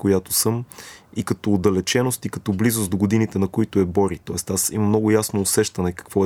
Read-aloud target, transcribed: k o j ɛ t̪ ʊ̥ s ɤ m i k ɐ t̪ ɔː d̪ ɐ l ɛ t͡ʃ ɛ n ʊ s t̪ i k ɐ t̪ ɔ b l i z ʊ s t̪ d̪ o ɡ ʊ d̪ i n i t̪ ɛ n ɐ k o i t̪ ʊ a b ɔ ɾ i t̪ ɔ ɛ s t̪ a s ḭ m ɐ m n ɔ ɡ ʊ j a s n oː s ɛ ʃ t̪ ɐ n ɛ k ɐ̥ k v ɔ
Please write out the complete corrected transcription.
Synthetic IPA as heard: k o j a t̪ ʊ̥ s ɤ m i k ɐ t̪ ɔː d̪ ɐ l ɛ t͡ʃ ɛ n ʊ s t̪ i k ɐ t̪ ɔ b l i z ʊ s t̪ d̪ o ɡ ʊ d̪ i n i t̪ ɛ n ɐ k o i t̪ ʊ ɛ b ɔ ɾ i t̪ ɔ ɛ s t̪ a s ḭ m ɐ m n ɔ ɡ ʊ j a s n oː s ɛ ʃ t̪ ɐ n ɛ k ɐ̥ k v ɔ